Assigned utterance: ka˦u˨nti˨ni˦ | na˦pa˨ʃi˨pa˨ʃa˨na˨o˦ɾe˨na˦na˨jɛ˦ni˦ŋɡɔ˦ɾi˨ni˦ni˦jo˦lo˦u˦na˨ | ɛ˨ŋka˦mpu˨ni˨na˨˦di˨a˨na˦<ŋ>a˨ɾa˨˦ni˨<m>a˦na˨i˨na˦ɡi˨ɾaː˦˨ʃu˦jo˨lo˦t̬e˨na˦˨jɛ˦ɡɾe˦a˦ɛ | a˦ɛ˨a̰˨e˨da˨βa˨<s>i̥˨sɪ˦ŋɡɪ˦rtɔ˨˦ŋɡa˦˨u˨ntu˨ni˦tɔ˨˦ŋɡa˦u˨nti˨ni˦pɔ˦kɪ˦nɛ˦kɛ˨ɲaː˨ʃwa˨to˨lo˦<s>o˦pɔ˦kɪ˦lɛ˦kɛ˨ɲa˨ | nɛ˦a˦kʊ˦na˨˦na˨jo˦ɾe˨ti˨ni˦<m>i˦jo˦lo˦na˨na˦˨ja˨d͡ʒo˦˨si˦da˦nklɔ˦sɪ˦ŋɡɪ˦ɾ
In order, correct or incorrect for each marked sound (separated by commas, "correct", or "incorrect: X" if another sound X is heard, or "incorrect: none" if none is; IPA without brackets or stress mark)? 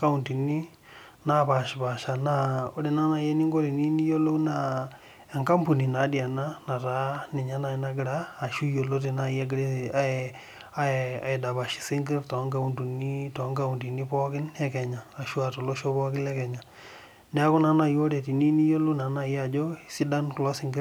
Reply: incorrect: n, incorrect: ɲ, incorrect: ʃ, incorrect: ʃ, incorrect: n